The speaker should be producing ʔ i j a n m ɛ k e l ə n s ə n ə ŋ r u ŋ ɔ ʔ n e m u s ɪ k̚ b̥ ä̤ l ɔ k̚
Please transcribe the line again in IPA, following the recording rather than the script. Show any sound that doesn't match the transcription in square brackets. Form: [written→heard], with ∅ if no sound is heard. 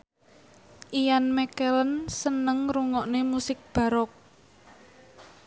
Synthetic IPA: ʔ i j a n m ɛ k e l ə n s ə n ə ŋ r u ŋ ɔ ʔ n e m u s ɪ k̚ b̥ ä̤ [l→ɾ] ɔ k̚

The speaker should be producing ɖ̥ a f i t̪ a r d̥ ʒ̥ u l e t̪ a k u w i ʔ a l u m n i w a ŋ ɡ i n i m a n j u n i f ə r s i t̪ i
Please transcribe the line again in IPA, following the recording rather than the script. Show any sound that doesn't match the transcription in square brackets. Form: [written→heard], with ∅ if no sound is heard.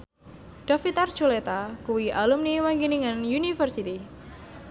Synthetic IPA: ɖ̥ a f i t̪ a r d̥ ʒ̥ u l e t̪ a k u w i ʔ a l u m n i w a ŋ ɡ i n i [m→ŋ] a n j u n i f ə r s i t̪ i

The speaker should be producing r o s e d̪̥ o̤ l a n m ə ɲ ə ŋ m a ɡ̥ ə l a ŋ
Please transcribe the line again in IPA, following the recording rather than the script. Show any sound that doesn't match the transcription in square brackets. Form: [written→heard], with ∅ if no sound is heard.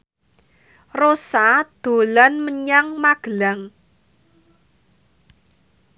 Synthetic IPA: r o s [e→a] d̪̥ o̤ l a n m ə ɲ [ə→a] ŋ m a ɡ̥ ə l a ŋ

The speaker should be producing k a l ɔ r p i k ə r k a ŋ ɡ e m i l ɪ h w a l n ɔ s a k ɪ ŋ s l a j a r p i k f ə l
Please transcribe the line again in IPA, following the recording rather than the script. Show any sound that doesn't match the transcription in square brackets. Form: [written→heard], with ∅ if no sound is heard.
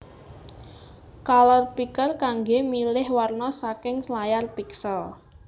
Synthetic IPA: k a l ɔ r p i k ə r k a ŋ ɡ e m i l ɪ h w a [l→r] n ɔ s a k ɪ ŋ s l a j a r p i k [f→s] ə l

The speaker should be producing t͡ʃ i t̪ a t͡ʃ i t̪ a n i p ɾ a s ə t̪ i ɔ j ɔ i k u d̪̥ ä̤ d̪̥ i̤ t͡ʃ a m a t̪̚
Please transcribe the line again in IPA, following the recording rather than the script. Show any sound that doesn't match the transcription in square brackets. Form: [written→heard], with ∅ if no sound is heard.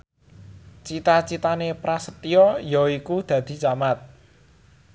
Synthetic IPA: t͡ʃ i t̪ a t͡ʃ i t̪ a n [i→e] p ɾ a s ə t̪ i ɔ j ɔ i k u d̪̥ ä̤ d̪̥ i̤ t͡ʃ a m a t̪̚

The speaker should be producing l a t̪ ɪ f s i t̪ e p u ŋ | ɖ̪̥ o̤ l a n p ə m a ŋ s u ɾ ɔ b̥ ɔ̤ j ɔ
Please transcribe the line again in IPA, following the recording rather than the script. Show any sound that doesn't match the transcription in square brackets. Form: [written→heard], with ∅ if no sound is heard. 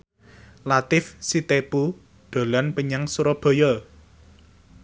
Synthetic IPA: l a t̪ ɪ f s i t̪ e p u [ŋ→∅] | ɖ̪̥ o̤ l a n p ə [m→ɲ] a ŋ s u ɾ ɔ b̥ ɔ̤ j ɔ

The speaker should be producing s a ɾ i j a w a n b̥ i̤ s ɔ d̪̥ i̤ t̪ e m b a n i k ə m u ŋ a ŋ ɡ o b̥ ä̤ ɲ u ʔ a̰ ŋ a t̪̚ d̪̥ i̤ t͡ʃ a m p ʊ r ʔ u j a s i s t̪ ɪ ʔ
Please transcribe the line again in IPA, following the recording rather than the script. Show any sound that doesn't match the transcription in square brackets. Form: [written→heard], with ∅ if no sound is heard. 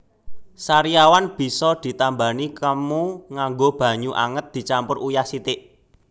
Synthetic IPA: s a ɾ i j a w a n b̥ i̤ s ɔ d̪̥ i̤ t̪ [e→a] m b a n i k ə m u ŋ a ŋ ɡ o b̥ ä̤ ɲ u ʔ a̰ ŋ [a→ə] t̪̚ d̪̥ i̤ t͡ʃ a m p ʊ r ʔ u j a s i [s→∅] t̪ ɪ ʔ

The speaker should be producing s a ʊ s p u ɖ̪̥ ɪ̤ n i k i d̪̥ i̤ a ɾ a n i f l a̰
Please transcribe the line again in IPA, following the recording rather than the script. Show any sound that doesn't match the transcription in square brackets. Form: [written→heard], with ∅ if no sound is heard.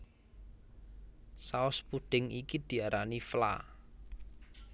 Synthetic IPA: s a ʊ s p u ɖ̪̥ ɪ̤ [n→ŋ] i k i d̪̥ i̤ a ɾ a n i f l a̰

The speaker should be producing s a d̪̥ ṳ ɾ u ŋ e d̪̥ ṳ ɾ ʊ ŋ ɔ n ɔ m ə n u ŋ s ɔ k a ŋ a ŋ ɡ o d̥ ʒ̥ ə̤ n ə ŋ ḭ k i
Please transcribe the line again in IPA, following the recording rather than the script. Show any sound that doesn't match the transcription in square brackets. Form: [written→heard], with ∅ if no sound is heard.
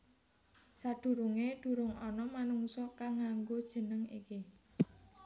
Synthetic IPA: s a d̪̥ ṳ ɾ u ŋ e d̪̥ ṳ ɾ ʊ ŋ ɔ n ɔ m [ə→a] n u ŋ s ɔ k a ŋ a ŋ ɡ o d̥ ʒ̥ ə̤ n ə ŋ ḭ k i

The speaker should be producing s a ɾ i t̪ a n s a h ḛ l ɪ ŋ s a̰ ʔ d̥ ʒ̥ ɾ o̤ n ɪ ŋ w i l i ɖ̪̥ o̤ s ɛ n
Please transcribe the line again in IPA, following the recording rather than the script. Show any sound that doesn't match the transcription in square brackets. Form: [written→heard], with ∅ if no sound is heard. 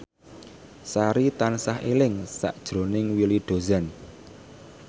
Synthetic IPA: s a ɾ i t̪ a n s a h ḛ l ɪ ŋ s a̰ ʔ d̥ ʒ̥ ɾ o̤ n ɪ ŋ w i l i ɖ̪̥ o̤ [s→z] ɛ n

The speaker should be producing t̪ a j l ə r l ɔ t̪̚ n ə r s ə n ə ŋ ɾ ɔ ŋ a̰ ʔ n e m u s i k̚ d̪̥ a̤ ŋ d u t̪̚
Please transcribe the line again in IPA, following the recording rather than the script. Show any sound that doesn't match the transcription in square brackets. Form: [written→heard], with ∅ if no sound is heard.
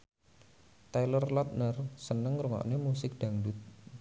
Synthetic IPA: t̪ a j l ə r l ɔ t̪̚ n ə r s ə n ə ŋ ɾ [ɔ→u] ŋ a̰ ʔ n e m u s [i→ɪ] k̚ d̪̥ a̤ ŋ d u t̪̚

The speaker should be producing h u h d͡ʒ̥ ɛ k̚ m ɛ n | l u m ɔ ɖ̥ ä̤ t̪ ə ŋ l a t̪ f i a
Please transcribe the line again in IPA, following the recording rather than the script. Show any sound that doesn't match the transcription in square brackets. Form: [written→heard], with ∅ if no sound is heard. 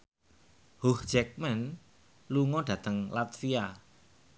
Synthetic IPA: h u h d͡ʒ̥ ɛ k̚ m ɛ n | l u [m→ŋ] ɔ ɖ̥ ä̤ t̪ ə ŋ l a t̪ f i a

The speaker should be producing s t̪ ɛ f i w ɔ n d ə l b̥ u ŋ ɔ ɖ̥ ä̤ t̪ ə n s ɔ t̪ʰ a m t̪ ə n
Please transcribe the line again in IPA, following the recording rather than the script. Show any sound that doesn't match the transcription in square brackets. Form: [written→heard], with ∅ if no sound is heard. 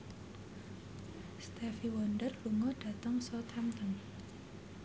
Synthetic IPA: s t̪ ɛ f i w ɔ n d ə [l→r] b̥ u ŋ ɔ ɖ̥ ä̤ t̪ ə [n→ŋ] s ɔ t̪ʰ a m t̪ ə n

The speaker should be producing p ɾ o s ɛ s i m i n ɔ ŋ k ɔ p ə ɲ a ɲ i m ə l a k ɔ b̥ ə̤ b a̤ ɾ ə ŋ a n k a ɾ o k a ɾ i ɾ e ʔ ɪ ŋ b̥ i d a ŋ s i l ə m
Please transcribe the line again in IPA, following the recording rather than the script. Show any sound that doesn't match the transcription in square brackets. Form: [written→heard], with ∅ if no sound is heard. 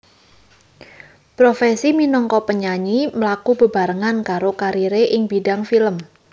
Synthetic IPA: p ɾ o [s→f] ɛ s i m i n ɔ ŋ k ɔ p ə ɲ a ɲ i m ə l a k [ɔ→u] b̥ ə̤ b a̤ ɾ ə ŋ a n k a ɾ o k a ɾ i ɾ e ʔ ɪ ŋ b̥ i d a ŋ [s→f] i l ə m

